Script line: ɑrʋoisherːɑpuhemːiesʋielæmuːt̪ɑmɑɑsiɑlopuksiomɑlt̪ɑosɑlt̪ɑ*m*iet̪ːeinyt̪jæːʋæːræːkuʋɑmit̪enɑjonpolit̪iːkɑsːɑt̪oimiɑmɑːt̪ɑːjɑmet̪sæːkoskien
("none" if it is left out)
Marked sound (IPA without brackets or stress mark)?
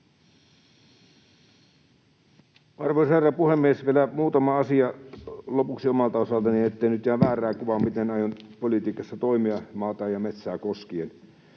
n